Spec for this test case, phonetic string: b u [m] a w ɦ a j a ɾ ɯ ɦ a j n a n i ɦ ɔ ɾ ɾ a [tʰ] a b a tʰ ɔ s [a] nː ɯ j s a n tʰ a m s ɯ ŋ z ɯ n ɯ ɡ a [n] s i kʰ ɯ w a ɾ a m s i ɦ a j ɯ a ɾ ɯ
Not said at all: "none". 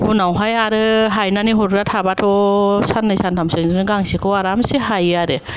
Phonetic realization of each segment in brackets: n, tʰ, a, ŋ

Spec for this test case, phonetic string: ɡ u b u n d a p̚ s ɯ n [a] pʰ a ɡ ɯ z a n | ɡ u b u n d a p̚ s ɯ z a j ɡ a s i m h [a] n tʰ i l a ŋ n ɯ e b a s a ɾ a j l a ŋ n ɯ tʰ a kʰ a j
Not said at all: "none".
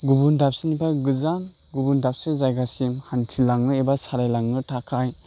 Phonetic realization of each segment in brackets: i, a

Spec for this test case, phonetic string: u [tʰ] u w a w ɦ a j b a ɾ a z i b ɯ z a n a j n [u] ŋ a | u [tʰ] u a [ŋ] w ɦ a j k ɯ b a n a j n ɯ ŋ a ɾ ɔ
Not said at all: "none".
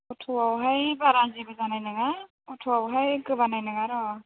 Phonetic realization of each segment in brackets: tʰ, ɯ, tʰ, none

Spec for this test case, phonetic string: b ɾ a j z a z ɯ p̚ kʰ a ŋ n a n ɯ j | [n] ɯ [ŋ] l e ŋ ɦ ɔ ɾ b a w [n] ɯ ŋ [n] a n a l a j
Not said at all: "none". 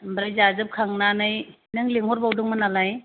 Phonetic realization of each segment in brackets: n, ŋ, d, m

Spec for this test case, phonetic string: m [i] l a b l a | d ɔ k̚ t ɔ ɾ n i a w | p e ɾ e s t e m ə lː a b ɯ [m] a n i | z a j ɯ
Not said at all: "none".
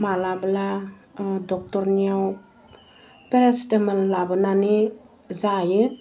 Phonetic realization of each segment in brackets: a, n

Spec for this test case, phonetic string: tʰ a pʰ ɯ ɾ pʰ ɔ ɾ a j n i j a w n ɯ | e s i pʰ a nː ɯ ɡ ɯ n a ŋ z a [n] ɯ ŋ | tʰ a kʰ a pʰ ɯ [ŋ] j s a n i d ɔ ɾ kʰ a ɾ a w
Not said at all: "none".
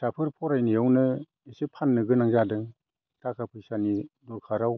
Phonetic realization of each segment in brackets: d, none

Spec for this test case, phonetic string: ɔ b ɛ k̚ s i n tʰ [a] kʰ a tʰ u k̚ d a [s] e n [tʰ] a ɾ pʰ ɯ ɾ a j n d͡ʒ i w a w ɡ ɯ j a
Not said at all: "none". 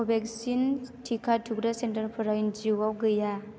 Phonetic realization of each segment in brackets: i, s, t

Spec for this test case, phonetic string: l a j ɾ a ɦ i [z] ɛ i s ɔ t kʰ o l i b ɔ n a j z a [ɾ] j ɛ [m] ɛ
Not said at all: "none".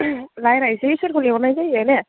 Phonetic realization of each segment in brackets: s, none, n

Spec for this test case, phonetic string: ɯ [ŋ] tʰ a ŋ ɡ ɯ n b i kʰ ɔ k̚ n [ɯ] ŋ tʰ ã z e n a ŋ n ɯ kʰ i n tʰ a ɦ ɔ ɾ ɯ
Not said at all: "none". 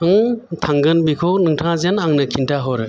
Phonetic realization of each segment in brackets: ŋ, ɯ

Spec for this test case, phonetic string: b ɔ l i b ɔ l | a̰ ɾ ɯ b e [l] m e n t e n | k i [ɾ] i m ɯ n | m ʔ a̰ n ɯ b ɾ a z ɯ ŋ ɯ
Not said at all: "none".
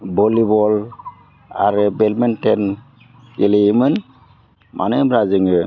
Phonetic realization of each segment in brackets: l, l

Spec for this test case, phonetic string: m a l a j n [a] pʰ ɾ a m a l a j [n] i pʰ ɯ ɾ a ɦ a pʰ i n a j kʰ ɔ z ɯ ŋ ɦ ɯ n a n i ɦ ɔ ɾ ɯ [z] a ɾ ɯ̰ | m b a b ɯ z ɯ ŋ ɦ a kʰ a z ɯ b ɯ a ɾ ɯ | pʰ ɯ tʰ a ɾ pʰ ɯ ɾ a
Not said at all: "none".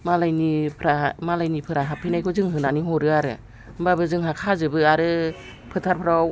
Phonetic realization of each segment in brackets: i, n, none

